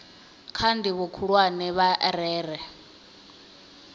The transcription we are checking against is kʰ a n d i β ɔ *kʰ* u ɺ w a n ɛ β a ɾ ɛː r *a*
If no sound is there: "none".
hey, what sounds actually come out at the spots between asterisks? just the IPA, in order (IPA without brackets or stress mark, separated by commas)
kʰ, ɛ